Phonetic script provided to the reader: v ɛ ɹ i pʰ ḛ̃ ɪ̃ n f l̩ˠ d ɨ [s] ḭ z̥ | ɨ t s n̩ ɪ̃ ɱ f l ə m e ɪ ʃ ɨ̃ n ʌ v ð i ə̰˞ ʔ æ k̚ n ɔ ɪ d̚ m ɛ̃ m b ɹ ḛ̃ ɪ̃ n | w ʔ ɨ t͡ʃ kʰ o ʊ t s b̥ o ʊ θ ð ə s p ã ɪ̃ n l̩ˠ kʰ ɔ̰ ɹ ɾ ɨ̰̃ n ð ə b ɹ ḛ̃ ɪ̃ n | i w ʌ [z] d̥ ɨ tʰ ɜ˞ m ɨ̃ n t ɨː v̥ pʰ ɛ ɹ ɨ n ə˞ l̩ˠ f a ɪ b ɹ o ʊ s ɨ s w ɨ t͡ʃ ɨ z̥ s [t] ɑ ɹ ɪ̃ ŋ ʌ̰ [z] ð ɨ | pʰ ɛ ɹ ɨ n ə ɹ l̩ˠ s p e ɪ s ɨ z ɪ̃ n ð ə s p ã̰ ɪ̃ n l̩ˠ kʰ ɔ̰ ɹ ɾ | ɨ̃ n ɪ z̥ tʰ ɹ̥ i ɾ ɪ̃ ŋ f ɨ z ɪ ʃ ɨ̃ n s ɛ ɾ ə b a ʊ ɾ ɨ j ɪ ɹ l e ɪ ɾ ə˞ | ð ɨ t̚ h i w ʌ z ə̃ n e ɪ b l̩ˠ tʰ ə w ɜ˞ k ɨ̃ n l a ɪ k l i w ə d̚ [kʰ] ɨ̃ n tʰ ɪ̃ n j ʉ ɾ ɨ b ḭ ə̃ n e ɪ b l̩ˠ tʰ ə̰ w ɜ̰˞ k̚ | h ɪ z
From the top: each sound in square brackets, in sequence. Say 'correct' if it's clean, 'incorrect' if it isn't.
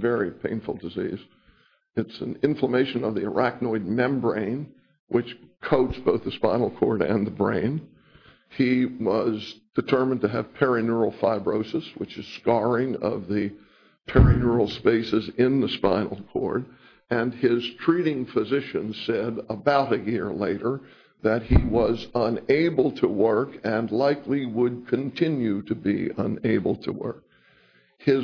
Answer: incorrect: z, correct, incorrect: k, incorrect: v, correct

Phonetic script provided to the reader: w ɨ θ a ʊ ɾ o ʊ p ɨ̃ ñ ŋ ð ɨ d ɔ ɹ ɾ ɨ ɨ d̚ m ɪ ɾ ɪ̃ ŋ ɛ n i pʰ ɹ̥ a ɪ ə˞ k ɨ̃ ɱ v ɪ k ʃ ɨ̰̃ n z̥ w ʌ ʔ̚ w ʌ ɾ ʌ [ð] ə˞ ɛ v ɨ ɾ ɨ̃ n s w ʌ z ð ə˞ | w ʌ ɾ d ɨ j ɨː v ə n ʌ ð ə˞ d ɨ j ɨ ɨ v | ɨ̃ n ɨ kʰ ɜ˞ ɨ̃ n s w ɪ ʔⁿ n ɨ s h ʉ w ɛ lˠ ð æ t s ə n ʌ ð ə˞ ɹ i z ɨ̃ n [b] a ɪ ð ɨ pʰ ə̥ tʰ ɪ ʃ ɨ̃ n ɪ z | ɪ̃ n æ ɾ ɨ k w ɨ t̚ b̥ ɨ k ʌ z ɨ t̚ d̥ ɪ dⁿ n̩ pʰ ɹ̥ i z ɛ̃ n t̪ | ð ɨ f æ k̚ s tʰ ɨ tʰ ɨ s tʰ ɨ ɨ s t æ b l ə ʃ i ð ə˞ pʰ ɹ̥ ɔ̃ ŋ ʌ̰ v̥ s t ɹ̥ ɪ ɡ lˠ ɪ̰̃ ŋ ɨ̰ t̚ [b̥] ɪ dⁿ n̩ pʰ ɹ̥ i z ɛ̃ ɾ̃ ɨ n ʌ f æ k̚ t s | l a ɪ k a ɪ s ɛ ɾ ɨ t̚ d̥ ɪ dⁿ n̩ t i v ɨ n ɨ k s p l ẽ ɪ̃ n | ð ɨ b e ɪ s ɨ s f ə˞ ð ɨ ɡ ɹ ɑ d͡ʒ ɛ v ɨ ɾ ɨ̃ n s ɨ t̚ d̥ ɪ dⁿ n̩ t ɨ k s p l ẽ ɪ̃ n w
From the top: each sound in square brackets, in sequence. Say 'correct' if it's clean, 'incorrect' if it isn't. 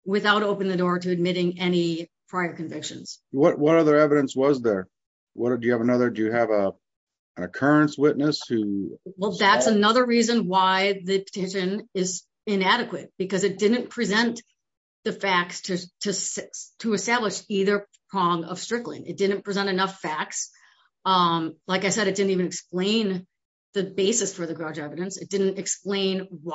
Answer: correct, incorrect: w, incorrect: d̥

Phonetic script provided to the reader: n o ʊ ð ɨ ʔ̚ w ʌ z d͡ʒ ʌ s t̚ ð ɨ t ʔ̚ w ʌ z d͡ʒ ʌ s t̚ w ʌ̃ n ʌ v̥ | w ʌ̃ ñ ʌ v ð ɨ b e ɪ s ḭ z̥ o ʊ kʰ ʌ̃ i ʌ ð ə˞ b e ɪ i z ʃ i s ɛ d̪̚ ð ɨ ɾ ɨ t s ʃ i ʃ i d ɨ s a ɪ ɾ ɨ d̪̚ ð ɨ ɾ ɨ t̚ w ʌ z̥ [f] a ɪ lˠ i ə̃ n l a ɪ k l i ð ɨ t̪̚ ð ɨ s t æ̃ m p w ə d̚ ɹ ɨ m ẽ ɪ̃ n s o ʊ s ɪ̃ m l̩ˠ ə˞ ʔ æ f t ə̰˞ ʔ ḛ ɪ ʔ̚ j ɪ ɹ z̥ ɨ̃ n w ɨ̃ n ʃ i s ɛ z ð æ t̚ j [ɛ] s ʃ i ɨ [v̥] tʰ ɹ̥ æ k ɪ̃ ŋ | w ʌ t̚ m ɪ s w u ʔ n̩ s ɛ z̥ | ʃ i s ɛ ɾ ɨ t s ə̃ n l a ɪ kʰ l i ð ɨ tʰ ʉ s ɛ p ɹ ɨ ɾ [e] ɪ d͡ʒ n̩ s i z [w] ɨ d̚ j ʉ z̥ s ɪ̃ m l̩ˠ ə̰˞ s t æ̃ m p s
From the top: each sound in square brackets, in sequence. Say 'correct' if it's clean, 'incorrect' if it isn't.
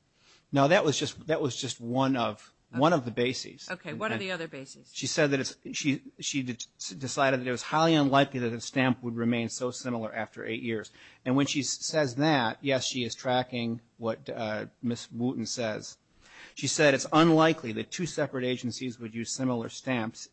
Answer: incorrect: h, correct, incorrect: z̥, correct, correct

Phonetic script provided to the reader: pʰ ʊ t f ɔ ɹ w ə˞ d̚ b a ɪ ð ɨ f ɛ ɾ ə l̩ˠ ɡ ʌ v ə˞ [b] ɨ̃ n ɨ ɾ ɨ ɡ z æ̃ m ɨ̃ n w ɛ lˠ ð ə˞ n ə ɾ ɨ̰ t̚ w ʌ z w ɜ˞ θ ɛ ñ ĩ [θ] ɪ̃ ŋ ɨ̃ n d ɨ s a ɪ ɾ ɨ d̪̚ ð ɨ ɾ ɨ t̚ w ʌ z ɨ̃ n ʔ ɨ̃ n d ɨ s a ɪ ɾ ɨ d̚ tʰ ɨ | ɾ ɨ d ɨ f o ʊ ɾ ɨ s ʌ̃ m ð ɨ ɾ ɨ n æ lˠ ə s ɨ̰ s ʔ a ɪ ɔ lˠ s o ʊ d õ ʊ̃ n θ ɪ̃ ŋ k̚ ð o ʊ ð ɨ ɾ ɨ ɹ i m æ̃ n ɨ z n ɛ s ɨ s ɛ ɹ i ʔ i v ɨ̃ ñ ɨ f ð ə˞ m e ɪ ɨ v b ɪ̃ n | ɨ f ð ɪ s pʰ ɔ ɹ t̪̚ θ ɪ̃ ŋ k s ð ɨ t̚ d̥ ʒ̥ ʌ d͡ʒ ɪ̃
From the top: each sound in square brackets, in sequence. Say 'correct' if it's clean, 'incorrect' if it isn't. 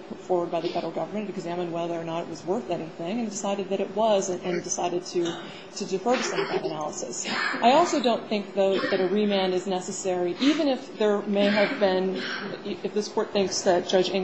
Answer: incorrect: m, correct

